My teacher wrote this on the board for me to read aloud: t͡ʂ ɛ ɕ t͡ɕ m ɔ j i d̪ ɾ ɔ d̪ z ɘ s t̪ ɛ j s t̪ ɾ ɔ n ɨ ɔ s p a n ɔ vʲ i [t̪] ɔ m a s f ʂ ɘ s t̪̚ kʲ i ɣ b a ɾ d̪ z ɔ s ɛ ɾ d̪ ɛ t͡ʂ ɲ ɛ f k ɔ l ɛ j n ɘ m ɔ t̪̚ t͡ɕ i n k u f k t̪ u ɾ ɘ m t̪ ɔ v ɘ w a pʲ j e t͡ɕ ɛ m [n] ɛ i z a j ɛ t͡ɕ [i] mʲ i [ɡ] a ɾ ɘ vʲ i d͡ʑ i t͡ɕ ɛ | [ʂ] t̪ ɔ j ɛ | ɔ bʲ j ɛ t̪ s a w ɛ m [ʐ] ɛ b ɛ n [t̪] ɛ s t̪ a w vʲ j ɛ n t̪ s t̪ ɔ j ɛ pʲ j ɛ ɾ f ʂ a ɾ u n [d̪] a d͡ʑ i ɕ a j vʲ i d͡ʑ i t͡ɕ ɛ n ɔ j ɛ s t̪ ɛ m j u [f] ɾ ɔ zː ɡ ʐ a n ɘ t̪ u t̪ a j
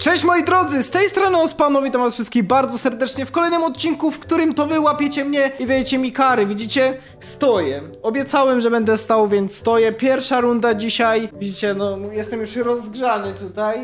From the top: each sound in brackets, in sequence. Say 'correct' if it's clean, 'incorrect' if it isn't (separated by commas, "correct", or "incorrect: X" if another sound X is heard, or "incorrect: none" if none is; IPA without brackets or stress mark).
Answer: correct, incorrect: ɲ, incorrect: ɛ, incorrect: k, incorrect: s, correct, incorrect: d̪, correct, incorrect: ʂ